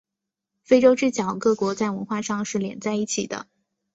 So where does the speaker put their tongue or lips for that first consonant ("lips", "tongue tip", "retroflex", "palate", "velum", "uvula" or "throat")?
lips